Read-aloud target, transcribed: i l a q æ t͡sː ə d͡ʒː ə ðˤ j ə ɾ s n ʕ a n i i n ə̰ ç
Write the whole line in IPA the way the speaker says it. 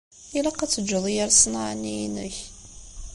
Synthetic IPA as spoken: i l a q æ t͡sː ə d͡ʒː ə ðˤ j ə ɾ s n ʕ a n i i n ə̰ ç